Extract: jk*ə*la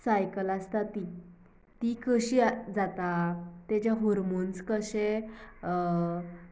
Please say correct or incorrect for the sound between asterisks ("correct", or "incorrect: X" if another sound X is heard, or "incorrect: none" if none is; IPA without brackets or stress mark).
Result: correct